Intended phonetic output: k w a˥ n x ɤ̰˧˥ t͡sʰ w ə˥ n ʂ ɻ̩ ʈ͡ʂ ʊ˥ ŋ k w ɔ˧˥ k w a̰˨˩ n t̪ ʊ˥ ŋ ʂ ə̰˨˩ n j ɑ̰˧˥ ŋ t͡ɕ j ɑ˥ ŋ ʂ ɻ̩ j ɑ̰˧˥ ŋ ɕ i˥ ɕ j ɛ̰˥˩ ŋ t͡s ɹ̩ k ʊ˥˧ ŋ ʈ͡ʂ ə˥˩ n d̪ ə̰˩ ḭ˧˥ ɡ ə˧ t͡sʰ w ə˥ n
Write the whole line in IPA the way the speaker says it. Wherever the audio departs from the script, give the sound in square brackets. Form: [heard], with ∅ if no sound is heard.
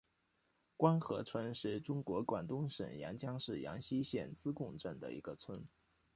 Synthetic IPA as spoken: k w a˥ n x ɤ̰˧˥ t͡sʰ w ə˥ n ʂ ɻ̩ ʈ͡ʂ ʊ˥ ŋ k w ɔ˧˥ k w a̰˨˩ n t̪ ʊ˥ ŋ ʂ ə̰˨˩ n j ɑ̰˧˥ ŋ t͡ɕ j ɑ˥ ŋ ʂ ɻ̩ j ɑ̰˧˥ ŋ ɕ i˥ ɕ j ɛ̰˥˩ [n] t͡s ɹ̩ k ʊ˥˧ ŋ ʈ͡ʂ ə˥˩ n d̪ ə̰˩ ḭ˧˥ ɡ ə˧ t͡sʰ w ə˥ n